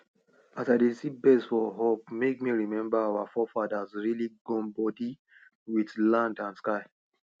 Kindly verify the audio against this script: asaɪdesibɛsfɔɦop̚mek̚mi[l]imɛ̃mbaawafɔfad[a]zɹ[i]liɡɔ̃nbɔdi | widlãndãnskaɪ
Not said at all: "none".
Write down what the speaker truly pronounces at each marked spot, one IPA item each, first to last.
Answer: ɹ, a, i

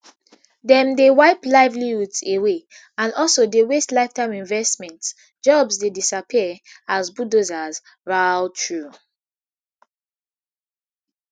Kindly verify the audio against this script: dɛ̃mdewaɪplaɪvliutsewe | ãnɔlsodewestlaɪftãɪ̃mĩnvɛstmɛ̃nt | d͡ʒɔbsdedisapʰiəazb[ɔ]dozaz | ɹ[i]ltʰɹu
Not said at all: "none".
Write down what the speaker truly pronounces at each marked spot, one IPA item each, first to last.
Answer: u, a

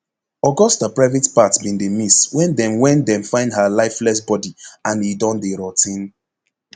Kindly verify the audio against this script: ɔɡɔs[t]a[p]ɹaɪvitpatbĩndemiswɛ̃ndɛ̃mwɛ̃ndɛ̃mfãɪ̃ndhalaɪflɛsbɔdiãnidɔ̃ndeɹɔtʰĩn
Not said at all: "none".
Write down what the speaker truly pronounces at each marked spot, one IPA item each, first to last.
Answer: t, p

